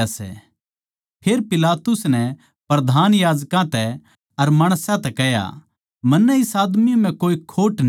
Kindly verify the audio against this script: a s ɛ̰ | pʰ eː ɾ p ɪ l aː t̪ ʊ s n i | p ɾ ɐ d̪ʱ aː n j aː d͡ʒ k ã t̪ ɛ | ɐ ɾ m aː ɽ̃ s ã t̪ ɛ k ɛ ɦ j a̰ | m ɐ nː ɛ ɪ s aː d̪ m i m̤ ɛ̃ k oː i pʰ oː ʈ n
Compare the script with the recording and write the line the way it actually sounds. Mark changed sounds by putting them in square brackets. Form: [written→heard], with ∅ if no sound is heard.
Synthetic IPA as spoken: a s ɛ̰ | pʰ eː ɾ p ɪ l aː t̪ ʊ s n [i→ɛ] | p ɾ ɐ d̪ʱ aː n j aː d͡ʒ k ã t̪ ɛ | ɐ ɾ m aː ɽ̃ s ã t̪ ɛ k ɛ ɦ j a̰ | m ɐ nː ɛ ɪ s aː d̪ m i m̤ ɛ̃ k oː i [pʰ→kʰ] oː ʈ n

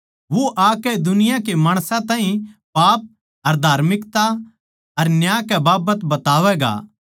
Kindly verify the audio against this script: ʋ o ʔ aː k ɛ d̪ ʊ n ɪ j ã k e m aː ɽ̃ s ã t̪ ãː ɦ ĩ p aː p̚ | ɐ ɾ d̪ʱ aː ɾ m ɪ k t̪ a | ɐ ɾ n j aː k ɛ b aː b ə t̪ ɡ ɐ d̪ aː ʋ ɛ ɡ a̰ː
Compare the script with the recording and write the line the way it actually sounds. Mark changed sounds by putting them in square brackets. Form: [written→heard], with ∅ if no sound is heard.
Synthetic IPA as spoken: ʋ o ʔ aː k ɛ d̪ ʊ n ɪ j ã k e m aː ɽ̃ s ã t̪ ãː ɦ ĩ p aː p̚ | ɐ ɾ d̪ʱ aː ɾ m ɪ k t̪ a | ɐ ɾ n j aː k ɛ b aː b ə t̪ [ɡ→b] ɐ [d̪→t̪] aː ʋ ɛ ɡ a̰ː

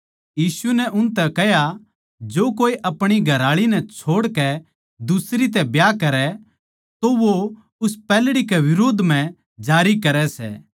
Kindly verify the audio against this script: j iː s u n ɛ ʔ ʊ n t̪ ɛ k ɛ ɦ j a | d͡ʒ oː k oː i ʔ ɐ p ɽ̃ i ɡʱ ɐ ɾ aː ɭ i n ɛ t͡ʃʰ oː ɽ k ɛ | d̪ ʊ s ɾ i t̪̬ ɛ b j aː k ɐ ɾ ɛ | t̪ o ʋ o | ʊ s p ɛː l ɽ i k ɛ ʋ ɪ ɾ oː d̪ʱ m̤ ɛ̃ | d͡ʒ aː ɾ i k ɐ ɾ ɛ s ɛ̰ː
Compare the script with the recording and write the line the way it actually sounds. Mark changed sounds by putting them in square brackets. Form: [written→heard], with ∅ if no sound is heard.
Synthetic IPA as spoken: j iː s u n ɛ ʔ ʊ n t̪ ɛ k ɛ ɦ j a | d͡ʒ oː k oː i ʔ ɐ p ɽ̃ i ɡʱ ɐ ɾ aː ɭ i n ɛ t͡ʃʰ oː ɽ k ɛ | d̪ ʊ s ɾ i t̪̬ ɛ b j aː k ɐ ɾ ɛ | t̪ o ʋ o | ʊ s p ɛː l ɽ i k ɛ ʋ ɪ ɾ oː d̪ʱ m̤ ɛ̃ | d͡ʒ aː ɾ i k ɐ ɾ ɛ s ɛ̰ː

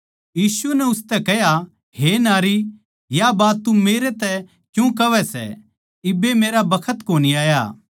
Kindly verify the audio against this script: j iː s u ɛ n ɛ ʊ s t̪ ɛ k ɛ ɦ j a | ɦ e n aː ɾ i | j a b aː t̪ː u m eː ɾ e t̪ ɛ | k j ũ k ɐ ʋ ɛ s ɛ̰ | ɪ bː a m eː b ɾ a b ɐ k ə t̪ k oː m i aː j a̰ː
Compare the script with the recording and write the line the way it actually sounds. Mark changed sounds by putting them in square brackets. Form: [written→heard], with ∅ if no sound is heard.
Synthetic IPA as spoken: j iː s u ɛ n ɛ ʊ s t̪ ɛ k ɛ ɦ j a | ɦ e n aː ɾ i | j a b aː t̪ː u m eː ɾ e t̪ ɛ | k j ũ k ɐ ʋ ɛ s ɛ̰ | ɪ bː [a→e] m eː [b→∅] ɾ a b ɐ [k→kʰ] ə t̪ k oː [m→n] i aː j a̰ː

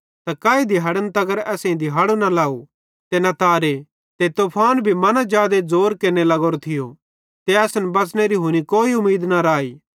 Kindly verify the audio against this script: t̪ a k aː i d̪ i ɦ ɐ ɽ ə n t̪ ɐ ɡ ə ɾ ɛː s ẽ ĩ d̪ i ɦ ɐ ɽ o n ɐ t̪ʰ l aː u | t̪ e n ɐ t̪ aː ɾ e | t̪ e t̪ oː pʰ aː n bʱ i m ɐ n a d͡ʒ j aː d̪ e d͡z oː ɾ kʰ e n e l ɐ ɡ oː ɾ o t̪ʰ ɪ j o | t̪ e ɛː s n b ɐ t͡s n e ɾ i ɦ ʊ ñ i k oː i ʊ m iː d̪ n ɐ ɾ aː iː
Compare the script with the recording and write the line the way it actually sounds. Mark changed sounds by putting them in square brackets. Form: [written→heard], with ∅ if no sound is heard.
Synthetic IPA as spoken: t̪ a k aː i d̪ i ɦ ɐ ɽ ə n t̪ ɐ ɡ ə ɾ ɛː s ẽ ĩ d̪ i ɦ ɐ ɽ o n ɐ [t̪ʰ→∅] l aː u | t̪ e n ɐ t̪ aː ɾ e | t̪ e t̪ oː pʰ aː n bʱ i m ɐ n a d͡ʒ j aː d̪ e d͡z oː ɾ [kʰ→k] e n e l ɐ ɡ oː ɾ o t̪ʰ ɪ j o | t̪ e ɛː s n b ɐ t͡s n e ɾ i ɦ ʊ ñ i k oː i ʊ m iː d̪ n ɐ ɾ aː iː

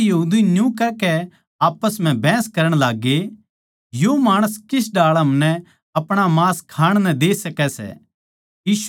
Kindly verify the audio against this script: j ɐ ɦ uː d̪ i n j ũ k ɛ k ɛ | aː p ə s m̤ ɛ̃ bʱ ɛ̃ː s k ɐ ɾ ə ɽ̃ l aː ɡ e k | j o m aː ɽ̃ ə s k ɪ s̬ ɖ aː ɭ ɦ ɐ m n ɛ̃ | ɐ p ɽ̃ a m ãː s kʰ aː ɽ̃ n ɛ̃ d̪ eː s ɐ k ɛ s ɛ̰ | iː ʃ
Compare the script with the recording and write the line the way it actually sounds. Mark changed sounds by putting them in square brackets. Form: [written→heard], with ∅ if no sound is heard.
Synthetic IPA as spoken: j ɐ ɦ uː d̪ i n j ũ k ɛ k ɛ | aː p ə s m̤ ɛ̃ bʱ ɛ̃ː s k ɐ ɾ ə ɽ̃ l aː ɡ e [k→∅] | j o m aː ɽ̃ ə s k ɪ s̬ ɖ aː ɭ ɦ ɐ m n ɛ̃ | ɐ p ɽ̃ a m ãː s kʰ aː ɽ̃ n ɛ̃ d̪ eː s ɐ k ɛ s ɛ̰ | iː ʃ

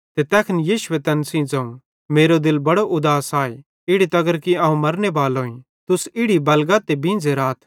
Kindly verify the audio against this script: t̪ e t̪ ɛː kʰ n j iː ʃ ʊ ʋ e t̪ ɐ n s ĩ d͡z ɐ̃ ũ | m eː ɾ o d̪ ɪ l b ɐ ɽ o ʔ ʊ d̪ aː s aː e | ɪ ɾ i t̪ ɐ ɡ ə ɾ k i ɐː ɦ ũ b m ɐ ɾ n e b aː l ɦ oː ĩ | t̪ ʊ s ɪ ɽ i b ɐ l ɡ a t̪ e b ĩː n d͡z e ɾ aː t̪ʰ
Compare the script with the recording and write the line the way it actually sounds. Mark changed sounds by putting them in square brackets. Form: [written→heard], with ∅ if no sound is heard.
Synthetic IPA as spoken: t̪ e t̪ ɛː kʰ n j iː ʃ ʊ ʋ e t̪ ɐ n s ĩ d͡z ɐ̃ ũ | m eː ɾ o d̪ ɪ l b ɐ ɽ o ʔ ʊ d̪ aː s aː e | ɪ [ɾ→ɽ] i t̪ ɐ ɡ ə ɾ k i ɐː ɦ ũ [b→∅] m ɐ ɾ n e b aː l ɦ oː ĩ | t̪ ʊ s ɪ ɽ i b ɐ l ɡ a t̪ e b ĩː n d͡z e ɾ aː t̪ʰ

